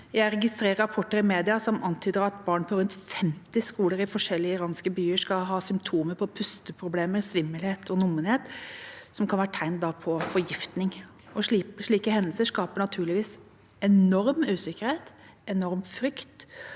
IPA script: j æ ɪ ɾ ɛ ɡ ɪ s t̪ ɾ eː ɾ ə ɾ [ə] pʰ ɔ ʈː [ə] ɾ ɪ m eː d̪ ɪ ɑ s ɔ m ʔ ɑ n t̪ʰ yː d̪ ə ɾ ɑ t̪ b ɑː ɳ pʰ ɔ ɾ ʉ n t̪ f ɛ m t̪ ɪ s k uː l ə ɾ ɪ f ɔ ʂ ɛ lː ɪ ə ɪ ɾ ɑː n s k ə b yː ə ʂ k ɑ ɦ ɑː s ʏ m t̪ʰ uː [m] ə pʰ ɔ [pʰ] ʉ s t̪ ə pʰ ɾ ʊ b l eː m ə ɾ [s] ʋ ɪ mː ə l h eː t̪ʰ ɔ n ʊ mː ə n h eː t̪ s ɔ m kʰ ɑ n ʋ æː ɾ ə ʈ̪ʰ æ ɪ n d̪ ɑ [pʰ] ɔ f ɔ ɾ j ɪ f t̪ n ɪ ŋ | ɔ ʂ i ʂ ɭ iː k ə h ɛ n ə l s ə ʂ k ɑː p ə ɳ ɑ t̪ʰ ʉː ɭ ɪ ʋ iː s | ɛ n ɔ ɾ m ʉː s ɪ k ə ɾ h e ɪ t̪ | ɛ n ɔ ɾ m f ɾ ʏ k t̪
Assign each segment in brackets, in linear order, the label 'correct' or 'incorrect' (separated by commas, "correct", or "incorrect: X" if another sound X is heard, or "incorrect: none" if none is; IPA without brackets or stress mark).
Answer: incorrect: ɑ, correct, correct, correct, correct, correct